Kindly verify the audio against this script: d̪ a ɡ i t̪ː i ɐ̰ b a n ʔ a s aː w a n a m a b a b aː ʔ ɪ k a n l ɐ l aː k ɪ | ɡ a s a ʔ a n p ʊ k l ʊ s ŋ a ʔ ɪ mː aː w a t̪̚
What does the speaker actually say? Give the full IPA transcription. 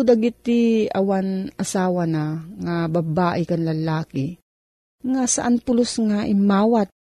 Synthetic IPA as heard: d̪ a ɡ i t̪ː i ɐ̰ w a n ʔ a s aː w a n a ŋ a b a b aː ʔ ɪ k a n l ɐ l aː k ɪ | ŋ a s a ʔ a n p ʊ l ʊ s ŋ a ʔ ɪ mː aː w a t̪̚